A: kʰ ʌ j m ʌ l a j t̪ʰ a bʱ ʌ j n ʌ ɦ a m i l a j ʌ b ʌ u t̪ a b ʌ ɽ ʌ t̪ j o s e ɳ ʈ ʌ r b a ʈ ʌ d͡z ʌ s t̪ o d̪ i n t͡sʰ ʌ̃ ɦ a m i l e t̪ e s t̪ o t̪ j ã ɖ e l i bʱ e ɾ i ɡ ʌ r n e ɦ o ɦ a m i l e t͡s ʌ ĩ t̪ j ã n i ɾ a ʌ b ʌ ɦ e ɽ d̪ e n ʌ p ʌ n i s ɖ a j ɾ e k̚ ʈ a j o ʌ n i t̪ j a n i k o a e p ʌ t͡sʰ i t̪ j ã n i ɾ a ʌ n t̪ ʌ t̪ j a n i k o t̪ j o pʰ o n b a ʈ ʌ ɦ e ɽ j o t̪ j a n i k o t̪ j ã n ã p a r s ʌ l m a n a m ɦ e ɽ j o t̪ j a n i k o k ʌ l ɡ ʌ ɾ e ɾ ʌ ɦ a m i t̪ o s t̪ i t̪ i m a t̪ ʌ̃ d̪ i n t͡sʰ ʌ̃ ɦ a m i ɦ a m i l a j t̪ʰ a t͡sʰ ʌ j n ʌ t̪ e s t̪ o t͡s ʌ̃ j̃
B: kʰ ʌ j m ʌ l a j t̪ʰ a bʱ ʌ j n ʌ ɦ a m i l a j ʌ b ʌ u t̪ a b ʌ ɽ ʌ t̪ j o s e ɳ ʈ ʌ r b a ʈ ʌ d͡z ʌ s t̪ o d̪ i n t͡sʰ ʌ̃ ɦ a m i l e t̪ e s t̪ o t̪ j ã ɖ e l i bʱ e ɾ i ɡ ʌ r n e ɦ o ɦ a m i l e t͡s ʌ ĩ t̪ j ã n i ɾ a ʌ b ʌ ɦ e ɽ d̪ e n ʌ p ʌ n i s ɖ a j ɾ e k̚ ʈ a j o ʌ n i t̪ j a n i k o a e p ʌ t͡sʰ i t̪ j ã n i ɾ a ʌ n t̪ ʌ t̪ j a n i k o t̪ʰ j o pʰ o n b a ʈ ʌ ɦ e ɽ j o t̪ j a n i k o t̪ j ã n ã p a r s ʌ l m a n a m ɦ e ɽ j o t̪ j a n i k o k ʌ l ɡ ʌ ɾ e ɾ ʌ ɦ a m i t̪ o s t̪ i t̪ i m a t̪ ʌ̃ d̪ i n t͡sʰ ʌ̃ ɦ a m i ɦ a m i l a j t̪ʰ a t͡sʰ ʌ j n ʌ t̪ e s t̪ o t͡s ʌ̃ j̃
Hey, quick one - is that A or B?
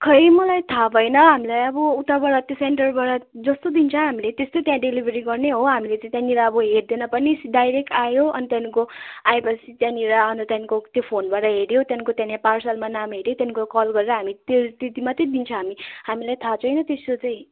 A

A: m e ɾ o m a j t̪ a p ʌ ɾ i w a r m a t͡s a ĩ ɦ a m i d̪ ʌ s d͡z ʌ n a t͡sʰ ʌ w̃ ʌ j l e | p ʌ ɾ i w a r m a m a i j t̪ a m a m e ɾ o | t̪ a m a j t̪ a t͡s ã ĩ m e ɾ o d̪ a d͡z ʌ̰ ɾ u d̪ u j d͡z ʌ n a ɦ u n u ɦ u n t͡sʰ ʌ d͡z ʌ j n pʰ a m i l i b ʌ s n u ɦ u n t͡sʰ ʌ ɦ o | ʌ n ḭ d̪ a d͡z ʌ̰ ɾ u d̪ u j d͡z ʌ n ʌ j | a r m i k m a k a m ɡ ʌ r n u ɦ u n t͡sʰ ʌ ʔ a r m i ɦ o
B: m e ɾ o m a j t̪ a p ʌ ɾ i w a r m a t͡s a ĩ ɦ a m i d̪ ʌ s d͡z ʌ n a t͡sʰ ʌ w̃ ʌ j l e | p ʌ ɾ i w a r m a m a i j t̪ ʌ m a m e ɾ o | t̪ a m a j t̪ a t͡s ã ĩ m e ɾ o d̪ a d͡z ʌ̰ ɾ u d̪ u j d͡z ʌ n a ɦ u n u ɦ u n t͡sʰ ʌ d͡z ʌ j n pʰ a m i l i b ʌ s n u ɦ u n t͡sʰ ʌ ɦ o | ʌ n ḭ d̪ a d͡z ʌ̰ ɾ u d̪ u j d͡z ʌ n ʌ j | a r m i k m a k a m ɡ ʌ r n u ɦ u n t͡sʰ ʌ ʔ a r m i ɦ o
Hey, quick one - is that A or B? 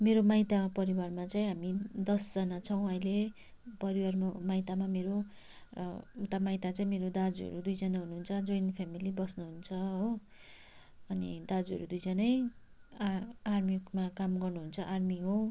A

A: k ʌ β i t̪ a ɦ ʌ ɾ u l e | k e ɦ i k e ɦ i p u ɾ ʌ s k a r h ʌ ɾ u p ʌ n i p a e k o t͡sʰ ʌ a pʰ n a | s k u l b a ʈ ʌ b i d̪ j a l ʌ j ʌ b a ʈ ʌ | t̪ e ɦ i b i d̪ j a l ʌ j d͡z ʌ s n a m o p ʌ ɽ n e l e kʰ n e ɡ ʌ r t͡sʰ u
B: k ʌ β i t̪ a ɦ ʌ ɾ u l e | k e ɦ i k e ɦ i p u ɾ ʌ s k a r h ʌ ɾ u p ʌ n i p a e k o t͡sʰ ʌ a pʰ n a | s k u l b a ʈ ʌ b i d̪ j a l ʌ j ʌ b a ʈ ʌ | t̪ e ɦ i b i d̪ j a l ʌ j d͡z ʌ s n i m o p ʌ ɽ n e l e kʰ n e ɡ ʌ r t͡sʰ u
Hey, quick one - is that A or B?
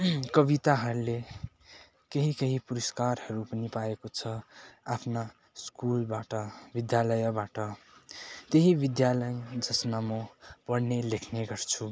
A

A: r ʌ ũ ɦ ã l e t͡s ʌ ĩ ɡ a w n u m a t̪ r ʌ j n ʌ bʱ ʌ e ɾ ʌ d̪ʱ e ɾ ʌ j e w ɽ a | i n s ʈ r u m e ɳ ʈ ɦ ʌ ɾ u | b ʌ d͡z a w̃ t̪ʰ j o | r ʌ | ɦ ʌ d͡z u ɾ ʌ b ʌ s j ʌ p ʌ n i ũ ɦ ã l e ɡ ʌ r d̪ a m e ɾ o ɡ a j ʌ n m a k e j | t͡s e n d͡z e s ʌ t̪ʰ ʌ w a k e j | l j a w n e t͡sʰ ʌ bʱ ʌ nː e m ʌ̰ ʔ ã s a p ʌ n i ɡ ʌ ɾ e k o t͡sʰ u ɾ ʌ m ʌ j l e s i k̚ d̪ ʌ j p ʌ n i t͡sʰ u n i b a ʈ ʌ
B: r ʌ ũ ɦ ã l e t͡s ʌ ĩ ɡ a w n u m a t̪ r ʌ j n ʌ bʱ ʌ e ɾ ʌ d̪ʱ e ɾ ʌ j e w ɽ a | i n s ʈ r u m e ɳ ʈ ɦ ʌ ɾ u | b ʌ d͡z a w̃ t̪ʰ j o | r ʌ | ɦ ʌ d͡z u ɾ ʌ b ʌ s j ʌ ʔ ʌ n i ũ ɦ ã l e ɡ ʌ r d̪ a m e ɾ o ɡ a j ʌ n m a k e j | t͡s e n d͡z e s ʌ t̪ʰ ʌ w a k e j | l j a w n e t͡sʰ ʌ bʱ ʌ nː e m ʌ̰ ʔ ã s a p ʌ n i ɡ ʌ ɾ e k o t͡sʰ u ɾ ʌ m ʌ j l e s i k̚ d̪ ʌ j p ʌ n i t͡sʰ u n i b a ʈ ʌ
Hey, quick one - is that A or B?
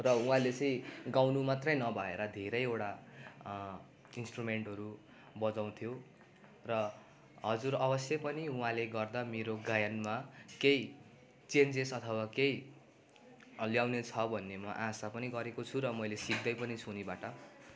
A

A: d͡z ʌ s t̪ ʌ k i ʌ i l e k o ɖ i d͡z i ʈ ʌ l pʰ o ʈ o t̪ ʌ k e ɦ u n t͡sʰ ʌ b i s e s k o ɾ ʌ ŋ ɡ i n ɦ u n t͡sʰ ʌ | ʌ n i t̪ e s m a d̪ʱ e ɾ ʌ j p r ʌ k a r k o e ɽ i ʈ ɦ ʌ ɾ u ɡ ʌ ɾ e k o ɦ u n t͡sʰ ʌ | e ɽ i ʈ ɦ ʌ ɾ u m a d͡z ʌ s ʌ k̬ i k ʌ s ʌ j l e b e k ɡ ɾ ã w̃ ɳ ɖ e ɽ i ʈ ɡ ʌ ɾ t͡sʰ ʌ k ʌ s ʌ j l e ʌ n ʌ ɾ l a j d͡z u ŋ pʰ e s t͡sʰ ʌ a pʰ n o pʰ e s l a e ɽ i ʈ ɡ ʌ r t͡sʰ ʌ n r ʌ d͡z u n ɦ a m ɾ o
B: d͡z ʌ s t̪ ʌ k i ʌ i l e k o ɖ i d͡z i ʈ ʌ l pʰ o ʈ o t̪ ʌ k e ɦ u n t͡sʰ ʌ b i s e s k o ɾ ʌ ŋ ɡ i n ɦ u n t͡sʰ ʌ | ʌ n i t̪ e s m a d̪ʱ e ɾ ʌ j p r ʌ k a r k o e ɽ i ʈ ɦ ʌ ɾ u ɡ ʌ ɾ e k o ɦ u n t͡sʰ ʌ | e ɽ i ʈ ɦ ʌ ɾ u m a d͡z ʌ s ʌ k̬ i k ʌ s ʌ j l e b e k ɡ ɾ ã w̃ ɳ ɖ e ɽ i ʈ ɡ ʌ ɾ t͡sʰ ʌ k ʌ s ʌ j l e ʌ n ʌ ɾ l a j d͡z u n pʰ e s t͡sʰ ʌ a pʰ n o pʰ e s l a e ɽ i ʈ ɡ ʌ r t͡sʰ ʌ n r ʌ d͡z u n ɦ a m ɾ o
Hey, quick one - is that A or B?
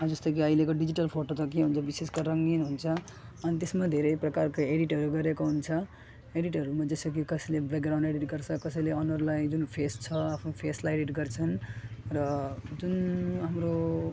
B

